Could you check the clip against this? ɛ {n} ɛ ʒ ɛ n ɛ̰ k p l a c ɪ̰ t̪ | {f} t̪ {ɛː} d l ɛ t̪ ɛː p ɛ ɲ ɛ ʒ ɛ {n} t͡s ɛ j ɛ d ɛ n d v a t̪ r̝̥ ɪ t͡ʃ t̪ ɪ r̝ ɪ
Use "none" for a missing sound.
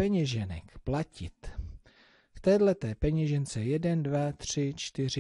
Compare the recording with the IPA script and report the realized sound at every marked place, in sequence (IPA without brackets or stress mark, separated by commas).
ɲ, f, ɛː, n